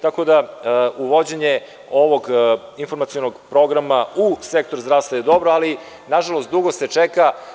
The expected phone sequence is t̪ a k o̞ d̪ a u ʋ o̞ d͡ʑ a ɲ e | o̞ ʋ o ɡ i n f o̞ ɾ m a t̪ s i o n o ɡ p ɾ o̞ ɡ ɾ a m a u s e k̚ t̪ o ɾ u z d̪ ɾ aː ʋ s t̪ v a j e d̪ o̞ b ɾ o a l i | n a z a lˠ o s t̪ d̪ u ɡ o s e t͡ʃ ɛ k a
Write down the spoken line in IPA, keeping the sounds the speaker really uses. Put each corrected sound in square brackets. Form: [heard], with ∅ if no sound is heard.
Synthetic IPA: t̪ a k o̞ d̪ a u ʋ o̞ d͡ʑ [e] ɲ e | o̞ ʋ o ɡ i n f o̞ ɾ m a t̪ s i o n o ɡ p ɾ o̞ ɡ ɾ a m a u s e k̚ t̪ o ɾ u z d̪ ɾ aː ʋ s t̪ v a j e d̪ o̞ b ɾ o a l i | n a [ʒ] a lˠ o s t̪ d̪ u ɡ o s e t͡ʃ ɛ k a